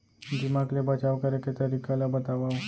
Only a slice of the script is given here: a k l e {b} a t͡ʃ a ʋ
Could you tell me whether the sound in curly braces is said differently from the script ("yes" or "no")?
no